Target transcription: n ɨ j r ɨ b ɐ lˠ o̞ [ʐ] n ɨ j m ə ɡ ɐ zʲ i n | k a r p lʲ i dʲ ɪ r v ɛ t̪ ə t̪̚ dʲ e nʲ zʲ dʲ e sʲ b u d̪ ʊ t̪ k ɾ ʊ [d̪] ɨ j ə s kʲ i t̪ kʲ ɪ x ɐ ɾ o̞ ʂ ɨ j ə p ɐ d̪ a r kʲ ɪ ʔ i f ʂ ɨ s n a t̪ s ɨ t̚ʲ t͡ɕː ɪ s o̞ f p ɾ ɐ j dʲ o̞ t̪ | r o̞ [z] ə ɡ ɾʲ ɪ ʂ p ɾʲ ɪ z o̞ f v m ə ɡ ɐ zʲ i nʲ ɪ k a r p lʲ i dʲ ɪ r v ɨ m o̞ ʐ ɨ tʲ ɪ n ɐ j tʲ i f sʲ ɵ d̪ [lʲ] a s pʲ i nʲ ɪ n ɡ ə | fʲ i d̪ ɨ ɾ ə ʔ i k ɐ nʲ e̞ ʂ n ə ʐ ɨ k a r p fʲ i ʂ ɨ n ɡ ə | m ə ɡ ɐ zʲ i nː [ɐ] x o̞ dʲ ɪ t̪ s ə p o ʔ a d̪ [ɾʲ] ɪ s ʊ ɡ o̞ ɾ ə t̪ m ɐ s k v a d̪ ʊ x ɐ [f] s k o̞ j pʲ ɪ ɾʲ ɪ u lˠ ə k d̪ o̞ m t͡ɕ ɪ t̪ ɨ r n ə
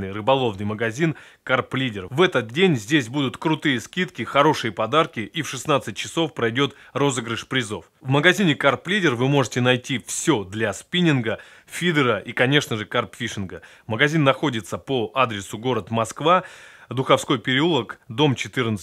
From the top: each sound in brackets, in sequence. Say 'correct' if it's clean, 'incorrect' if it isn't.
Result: incorrect: v, incorrect: t̪, correct, correct, correct, correct, correct

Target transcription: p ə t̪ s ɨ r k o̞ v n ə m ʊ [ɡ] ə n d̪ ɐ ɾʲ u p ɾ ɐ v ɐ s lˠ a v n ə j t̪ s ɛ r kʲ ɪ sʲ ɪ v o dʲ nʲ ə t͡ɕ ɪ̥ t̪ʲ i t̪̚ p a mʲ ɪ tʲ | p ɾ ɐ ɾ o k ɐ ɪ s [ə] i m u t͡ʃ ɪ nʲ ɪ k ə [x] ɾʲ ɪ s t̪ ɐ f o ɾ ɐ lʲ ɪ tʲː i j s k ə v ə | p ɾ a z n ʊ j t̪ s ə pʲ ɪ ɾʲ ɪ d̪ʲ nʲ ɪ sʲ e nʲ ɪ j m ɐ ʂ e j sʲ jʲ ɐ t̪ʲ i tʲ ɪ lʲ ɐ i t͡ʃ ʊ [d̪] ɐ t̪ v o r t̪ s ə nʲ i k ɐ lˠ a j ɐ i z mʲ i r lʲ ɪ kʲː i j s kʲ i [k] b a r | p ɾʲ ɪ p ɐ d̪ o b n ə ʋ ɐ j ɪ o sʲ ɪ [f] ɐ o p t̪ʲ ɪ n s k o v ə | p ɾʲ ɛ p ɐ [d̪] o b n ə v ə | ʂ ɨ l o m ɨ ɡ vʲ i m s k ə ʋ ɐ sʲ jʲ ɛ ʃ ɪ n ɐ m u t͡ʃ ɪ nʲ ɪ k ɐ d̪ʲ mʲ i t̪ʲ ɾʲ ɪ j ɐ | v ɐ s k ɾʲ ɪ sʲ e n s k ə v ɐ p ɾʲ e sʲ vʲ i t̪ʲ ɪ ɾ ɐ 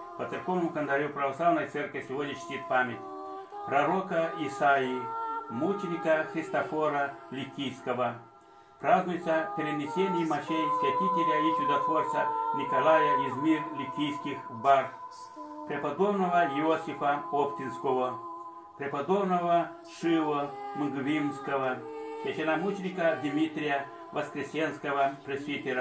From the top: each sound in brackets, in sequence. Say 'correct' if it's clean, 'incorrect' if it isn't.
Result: incorrect: k, incorrect: a, correct, correct, incorrect: x, correct, correct

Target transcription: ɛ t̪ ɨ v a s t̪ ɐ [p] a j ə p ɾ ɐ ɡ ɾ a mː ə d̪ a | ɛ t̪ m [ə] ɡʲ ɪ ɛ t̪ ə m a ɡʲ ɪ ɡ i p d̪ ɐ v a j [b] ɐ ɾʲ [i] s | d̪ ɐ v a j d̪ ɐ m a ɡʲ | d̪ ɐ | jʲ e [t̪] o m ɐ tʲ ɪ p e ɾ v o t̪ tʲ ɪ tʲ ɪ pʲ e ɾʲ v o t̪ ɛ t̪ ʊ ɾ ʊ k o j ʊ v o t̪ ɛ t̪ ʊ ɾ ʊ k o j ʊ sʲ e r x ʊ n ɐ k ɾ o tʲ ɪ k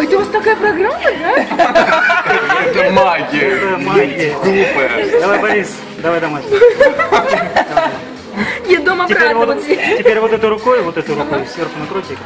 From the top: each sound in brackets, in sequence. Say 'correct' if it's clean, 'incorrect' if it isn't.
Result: incorrect: k, incorrect: a, correct, correct, incorrect: d̪

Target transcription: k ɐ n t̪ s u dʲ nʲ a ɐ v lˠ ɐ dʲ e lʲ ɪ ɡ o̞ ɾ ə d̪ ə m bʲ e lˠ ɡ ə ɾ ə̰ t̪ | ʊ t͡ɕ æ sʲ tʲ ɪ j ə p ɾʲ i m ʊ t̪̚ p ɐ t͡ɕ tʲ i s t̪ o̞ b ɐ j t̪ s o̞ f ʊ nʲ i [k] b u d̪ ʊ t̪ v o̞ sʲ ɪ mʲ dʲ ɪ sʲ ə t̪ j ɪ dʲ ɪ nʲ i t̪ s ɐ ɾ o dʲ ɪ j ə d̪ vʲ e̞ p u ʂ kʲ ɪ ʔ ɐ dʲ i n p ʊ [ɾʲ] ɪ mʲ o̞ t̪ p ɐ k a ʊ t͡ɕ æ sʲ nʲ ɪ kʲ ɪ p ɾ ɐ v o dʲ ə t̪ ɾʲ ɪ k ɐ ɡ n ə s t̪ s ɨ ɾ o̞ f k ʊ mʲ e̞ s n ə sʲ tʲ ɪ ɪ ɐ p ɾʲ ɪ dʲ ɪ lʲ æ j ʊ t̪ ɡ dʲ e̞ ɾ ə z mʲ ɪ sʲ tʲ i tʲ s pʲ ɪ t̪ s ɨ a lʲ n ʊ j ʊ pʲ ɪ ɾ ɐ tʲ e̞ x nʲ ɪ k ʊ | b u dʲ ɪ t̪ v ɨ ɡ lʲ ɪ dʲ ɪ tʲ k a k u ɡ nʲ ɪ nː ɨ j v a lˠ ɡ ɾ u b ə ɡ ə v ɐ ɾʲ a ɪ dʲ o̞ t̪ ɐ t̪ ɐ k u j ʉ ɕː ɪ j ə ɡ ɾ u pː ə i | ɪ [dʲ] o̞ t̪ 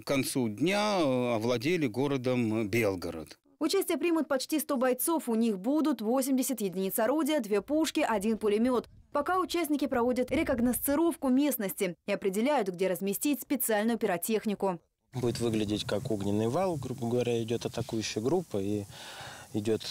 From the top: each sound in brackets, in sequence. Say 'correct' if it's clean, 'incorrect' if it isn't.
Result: incorrect: x, incorrect: lʲ, correct

